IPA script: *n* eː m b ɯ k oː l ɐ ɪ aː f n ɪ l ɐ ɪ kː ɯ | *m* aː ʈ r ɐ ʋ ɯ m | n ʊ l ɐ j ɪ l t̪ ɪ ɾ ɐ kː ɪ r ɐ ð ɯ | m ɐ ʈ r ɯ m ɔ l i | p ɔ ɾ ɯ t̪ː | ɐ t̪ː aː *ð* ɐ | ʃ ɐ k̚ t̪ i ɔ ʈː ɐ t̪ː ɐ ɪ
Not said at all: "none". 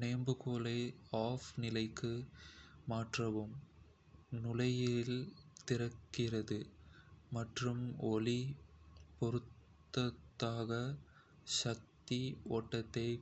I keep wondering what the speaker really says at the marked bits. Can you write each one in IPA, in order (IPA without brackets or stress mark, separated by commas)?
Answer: n, m, ɣ